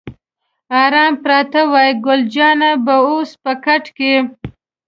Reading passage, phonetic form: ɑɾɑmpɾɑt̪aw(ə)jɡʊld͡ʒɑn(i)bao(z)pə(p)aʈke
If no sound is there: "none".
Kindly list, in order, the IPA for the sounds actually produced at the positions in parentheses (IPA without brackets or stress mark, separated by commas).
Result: ɑ, a, s, k